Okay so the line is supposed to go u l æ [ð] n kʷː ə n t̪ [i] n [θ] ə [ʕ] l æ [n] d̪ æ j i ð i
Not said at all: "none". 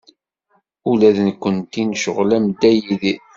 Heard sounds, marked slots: ð, i, ʃ, ʁ, m

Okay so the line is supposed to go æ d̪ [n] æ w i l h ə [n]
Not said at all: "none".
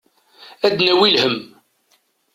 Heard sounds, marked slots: n, m

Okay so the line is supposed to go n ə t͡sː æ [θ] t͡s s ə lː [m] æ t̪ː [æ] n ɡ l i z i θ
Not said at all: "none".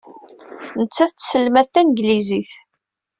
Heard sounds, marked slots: θ, m, æ

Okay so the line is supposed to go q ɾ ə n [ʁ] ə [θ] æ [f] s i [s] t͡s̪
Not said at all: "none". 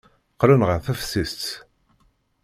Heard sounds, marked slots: ʁ, θ, f, s

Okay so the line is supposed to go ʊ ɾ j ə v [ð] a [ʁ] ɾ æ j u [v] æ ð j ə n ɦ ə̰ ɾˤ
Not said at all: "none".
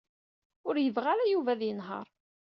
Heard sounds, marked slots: ʁ, none, v

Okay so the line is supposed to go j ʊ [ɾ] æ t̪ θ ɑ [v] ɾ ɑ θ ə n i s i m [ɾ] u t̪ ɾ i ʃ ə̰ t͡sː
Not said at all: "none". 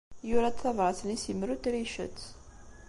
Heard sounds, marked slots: ɾ, v, ɾ

